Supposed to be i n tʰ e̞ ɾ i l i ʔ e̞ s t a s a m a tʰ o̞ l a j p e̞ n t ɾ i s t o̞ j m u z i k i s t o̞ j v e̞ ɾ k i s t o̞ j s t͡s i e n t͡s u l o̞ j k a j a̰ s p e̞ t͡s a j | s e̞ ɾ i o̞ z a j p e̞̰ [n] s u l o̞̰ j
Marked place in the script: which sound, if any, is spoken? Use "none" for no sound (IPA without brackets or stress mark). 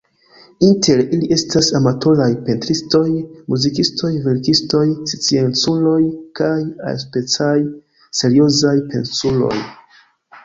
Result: n